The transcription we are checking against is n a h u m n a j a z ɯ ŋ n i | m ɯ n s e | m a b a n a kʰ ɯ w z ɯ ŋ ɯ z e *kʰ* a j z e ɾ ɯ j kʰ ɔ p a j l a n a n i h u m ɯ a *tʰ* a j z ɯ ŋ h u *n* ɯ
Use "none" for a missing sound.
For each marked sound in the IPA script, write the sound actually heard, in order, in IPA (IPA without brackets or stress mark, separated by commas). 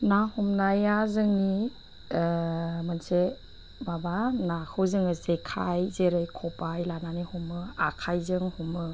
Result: kʰ, kʰ, m